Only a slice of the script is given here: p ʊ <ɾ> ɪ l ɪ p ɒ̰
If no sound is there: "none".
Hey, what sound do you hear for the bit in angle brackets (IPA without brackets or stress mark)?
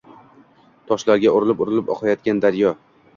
ɾ